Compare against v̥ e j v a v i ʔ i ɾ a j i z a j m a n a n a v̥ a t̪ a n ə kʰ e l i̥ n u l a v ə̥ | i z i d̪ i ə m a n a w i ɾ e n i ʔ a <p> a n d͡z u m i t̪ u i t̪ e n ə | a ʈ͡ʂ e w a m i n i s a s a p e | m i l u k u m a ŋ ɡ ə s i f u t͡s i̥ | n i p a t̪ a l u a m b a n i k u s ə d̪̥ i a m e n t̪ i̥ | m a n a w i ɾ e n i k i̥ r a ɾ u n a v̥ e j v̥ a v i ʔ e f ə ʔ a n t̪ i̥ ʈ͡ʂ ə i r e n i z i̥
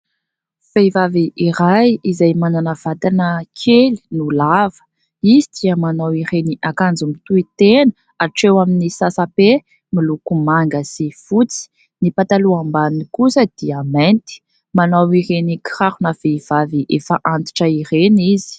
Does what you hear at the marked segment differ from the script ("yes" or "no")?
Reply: yes